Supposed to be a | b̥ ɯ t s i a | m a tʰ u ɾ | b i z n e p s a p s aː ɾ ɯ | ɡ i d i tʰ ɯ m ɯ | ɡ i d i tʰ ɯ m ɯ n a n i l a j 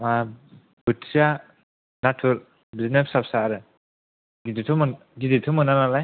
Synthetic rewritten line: a | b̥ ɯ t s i a | n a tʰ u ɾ | b i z n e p s a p s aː ɾ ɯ | ɡ i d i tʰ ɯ m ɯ | ɡ i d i tʰ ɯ m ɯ n a n a l a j